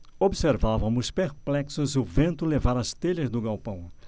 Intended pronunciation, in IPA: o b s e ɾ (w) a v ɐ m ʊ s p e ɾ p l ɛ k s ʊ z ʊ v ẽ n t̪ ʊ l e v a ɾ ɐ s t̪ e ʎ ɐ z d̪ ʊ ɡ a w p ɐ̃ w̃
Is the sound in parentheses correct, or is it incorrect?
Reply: incorrect: v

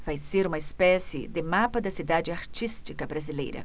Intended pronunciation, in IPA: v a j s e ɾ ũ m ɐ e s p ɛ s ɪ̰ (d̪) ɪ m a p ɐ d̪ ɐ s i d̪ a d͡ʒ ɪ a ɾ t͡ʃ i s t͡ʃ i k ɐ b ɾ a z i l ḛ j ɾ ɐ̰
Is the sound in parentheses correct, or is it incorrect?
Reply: correct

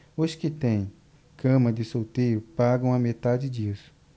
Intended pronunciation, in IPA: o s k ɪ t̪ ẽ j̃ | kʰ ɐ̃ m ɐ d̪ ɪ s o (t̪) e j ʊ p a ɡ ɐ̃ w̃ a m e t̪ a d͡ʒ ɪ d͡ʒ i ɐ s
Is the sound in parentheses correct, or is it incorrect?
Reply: correct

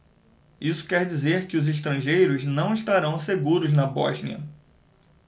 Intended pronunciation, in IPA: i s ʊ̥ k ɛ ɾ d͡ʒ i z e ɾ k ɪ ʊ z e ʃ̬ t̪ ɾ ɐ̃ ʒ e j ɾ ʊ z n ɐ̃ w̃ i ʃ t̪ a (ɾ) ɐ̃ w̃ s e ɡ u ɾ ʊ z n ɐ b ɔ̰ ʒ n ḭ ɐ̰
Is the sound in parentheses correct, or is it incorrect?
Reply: correct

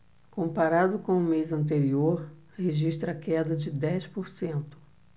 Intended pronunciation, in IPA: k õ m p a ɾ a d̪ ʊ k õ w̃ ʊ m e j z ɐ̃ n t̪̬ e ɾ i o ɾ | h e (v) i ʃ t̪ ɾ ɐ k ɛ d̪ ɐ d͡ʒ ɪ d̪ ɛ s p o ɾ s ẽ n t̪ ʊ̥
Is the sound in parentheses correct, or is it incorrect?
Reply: incorrect: ʒ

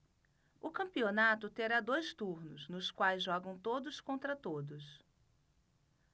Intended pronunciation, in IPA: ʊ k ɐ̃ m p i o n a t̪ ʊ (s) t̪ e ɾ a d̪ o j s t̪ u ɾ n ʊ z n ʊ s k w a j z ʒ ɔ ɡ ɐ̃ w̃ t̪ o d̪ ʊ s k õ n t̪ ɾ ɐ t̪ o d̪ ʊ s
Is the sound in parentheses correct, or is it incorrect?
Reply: incorrect: none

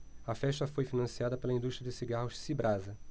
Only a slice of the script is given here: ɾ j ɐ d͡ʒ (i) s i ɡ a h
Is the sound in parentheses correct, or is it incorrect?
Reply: incorrect: ɪ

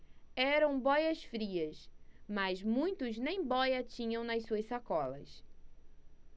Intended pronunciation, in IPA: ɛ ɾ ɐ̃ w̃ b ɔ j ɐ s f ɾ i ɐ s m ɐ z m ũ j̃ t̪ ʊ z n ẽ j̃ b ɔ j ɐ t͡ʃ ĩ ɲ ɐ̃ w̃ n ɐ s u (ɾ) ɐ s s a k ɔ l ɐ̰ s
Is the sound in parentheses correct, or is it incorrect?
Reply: incorrect: none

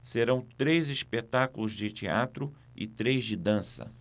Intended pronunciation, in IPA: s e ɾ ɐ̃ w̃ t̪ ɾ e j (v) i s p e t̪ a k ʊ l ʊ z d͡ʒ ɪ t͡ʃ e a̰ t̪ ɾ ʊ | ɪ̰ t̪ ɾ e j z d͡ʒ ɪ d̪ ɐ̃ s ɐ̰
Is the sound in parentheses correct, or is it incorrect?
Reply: incorrect: z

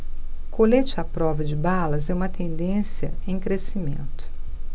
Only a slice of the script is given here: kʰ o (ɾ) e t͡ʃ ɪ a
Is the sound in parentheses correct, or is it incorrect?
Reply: incorrect: l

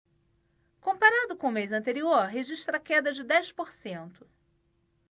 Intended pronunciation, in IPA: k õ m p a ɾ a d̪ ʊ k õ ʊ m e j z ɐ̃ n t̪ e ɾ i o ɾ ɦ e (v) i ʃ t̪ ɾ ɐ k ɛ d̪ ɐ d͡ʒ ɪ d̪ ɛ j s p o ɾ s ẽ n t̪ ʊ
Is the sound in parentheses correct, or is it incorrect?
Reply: incorrect: ʒ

